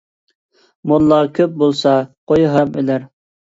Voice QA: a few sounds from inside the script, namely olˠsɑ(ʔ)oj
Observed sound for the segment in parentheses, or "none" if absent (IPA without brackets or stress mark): q